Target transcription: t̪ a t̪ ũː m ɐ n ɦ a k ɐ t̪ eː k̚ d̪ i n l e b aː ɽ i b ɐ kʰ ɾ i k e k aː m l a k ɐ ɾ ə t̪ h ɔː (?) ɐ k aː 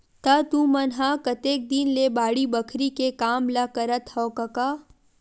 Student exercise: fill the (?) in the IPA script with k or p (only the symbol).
k